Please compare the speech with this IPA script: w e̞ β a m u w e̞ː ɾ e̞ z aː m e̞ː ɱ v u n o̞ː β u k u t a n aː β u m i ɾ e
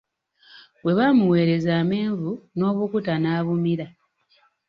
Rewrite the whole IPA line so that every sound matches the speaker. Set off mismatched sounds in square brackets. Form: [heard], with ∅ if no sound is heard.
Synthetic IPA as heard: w e̞ β a m u w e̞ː ɾ e̞ z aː m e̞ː ɱ v u n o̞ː β u k u t a n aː β u m i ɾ [a]